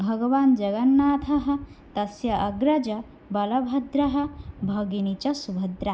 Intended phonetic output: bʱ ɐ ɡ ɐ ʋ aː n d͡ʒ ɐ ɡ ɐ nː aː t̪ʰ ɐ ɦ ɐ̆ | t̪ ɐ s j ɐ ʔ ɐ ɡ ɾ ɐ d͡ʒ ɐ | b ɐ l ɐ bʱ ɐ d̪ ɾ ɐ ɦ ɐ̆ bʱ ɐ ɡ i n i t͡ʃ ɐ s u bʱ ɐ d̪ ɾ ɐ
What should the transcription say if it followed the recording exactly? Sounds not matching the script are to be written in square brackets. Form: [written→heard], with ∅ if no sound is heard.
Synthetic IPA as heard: bʱ ɐ ɡ ɐ ʋ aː n d͡ʒ ɐ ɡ ɐ nː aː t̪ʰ ɐ ɦ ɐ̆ | t̪ ɐ s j ɐ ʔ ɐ ɡ ɾ ɐ d͡ʒ ɐ | b ɐ l ɐ bʱ ɐ d̪ ɾ ɐ ɦ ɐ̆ bʱ ɐ ɡ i n i t͡ʃ ɐ s u bʱ ɐ d̪ ɾ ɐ